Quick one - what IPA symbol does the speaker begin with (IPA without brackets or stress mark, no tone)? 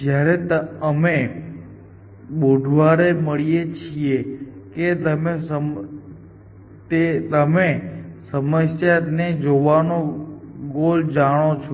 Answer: d͡ʒ